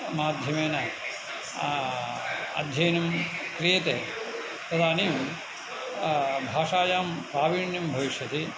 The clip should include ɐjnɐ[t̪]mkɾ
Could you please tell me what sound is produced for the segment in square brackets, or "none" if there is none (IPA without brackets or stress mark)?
none